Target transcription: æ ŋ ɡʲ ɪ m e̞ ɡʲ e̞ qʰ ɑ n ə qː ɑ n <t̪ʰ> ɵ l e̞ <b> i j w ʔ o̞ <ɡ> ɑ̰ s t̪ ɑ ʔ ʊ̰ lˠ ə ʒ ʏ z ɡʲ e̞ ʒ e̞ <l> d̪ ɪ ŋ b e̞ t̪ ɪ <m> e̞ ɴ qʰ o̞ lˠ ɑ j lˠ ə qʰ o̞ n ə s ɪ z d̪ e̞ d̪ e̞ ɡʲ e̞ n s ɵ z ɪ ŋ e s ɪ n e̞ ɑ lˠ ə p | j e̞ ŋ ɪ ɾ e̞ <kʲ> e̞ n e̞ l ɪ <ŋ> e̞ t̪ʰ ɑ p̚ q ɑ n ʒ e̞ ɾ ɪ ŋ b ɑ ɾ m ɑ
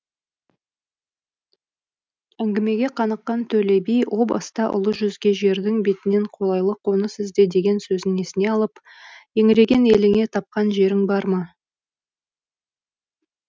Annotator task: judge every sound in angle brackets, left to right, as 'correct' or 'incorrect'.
correct, correct, incorrect: b, incorrect: ɾ, incorrect: n, incorrect: ɡʲ, correct

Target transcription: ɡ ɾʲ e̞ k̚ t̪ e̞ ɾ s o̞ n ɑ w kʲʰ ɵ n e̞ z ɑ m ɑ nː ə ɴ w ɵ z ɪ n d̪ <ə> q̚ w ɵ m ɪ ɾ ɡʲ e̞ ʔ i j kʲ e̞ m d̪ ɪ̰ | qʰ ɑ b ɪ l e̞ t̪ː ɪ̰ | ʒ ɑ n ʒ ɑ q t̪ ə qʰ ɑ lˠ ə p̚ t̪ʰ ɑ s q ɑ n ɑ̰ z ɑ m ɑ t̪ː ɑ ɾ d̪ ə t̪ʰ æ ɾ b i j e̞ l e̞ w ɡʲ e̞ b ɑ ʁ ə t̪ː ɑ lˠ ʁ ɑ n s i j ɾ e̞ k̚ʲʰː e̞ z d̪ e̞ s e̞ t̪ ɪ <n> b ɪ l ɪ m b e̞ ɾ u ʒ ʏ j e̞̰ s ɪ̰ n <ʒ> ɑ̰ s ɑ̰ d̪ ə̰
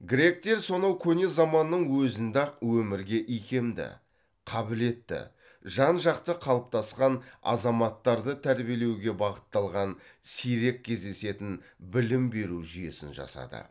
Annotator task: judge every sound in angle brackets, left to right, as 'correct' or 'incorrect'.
incorrect: ɑ, correct, correct

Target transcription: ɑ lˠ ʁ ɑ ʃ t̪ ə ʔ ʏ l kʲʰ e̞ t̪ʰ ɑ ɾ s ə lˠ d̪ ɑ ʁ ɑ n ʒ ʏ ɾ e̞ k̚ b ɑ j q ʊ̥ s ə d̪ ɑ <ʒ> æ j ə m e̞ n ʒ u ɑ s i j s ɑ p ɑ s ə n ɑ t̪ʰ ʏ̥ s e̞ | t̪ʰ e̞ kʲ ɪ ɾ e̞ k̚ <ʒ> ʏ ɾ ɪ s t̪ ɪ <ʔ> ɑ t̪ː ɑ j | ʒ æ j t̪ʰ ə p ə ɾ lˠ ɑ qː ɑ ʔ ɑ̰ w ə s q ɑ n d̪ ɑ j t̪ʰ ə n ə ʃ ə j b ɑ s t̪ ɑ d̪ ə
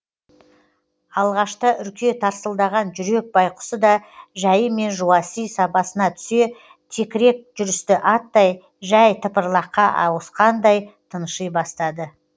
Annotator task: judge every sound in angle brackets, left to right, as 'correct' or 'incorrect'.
correct, correct, correct

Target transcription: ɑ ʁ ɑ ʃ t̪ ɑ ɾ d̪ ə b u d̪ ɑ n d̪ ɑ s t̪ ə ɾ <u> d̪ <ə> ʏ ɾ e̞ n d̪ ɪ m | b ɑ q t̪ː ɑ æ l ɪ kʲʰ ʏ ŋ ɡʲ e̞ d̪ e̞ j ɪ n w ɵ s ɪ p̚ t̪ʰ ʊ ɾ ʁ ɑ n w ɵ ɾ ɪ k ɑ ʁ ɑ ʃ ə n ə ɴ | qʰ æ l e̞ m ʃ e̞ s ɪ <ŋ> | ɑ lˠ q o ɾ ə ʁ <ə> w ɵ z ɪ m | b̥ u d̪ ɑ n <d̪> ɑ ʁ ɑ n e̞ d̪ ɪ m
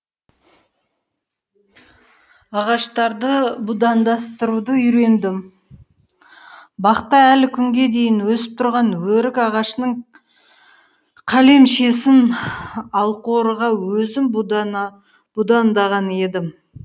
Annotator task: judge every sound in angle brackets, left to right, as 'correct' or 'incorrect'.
correct, correct, incorrect: n, incorrect: ɑ, correct

